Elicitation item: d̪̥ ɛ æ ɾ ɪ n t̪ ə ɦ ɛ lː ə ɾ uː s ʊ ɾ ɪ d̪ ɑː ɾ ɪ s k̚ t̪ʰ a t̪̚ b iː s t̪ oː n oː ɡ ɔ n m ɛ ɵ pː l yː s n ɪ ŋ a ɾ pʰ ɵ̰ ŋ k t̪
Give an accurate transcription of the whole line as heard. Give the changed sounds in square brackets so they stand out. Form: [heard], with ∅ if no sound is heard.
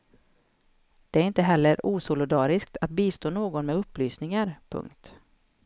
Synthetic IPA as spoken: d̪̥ ɛ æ ɾ ɪ n t̪ ə ɦ ɛ lː ə ɾ uː s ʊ [l] ɪ d̪ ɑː ɾ ɪ s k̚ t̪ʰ a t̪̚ b iː s t̪ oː n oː ɡ ɔ n m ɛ ɵ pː l yː s n ɪ ŋ a ɾ pʰ ɵ̰ ŋ k t̪